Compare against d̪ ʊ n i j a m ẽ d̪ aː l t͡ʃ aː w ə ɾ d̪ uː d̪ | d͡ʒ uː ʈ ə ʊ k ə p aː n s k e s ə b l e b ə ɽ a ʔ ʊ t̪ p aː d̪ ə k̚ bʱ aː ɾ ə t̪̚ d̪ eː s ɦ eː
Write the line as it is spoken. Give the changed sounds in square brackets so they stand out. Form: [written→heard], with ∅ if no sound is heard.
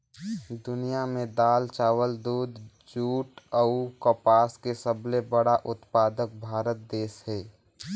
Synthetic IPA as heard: d̪ ʊ n i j a m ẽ d̪ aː l t͡ʃ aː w ə [ɾ→l] d̪ uː d̪ | d͡ʒ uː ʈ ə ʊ k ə p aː [n→∅] s k e s ə b l e b ə ɽ a ʔ ʊ t̪ p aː d̪ ə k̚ bʱ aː ɾ ə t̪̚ d̪ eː s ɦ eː